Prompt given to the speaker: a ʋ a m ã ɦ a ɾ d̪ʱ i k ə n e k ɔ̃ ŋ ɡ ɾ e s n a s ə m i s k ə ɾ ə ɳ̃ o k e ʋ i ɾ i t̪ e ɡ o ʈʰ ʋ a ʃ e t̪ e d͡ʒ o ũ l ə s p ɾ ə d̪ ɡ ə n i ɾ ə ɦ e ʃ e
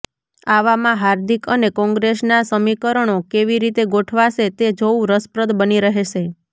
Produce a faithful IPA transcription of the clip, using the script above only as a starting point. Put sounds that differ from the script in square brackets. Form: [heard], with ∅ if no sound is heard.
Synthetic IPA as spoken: a ʋ a m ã ɦ a ɾ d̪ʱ i k ə n e k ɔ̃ ŋ ɡ ɾ e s n a s ə m i [∅] k ə ɾ ə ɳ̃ o k e ʋ i ɾ i t̪ e ɡ o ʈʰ ʋ a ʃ e t̪ e d͡ʒ o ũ [ɾ] ə s p ɾ ə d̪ [b] ə n i ɾ ə ɦ e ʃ e